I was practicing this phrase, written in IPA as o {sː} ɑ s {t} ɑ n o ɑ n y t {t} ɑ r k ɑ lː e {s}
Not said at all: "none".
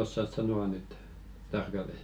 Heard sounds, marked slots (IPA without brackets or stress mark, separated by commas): sː, s, t, s